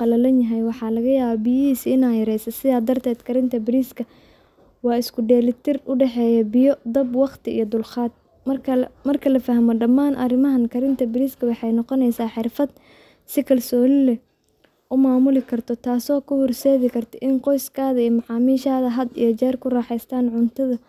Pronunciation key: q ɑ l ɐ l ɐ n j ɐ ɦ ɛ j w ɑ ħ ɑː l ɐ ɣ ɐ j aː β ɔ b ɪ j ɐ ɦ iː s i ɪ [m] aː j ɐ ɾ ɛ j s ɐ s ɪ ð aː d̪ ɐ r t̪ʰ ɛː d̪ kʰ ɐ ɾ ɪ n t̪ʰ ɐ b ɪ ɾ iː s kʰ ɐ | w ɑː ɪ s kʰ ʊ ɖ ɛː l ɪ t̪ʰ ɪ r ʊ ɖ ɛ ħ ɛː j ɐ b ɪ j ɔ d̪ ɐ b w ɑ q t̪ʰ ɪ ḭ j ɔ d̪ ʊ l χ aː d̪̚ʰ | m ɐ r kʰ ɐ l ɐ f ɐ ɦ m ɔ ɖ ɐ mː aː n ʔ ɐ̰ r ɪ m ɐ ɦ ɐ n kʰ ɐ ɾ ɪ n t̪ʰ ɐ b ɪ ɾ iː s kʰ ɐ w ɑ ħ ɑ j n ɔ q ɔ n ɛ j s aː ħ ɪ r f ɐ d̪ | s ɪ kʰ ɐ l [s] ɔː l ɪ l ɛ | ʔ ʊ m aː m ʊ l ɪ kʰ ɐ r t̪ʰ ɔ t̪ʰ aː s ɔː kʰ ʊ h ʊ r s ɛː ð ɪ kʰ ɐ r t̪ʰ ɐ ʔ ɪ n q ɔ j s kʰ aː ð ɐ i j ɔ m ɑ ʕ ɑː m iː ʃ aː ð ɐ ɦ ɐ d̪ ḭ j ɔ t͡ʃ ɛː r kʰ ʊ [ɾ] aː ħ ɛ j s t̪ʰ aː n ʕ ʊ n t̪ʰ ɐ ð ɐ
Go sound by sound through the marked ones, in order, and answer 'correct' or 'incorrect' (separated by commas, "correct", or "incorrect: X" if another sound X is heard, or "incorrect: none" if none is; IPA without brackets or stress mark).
incorrect: n, correct, incorrect: r